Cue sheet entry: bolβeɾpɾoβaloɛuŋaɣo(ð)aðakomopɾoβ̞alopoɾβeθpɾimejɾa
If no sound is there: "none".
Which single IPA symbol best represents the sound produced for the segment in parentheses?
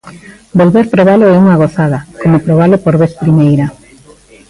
θ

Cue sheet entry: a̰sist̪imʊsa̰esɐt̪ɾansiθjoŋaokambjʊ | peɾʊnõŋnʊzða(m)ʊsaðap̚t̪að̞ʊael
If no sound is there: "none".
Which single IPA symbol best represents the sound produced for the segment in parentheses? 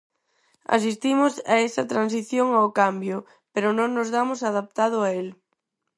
m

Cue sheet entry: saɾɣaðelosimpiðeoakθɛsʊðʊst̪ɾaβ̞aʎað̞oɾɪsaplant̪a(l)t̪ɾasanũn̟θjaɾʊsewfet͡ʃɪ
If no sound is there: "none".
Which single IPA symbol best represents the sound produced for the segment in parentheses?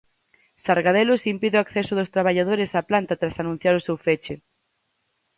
none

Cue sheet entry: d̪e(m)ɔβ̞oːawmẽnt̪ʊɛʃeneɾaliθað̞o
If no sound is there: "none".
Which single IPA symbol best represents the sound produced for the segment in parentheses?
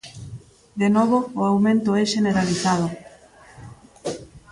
n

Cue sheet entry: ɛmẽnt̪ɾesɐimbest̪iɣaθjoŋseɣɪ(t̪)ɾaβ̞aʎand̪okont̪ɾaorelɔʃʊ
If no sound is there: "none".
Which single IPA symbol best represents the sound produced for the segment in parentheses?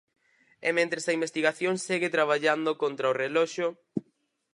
t̪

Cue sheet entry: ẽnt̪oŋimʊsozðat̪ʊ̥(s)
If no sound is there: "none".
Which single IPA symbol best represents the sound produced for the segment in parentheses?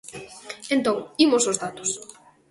s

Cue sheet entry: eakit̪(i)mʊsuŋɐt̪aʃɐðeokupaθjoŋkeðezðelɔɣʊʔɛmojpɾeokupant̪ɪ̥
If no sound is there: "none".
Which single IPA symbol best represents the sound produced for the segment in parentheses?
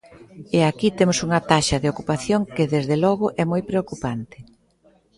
e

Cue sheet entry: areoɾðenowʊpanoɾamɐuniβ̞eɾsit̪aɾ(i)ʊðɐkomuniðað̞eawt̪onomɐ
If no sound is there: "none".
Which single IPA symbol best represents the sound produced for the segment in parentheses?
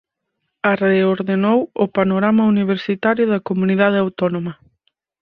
j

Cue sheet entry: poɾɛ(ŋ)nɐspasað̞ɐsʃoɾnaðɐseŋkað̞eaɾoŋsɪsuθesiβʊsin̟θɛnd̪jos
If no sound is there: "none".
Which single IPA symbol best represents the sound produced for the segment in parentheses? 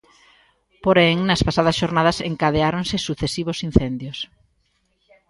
ŋ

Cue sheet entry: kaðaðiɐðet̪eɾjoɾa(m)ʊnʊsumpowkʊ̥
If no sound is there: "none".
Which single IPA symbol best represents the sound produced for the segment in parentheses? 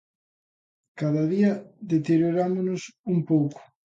m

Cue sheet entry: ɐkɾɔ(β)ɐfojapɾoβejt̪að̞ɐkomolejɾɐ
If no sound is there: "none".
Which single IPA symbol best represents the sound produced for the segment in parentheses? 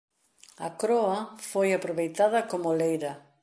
none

